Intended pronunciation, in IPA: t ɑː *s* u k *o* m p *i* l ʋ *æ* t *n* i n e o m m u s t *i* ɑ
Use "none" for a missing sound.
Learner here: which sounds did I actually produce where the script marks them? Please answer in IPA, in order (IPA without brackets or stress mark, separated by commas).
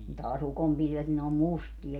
s, o, i, e, n, i